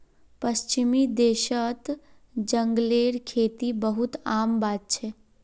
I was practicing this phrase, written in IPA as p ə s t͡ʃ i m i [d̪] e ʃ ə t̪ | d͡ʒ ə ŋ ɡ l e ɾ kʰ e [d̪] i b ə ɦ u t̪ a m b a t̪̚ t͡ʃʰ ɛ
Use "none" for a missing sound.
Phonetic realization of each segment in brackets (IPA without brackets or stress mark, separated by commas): d̪, t̪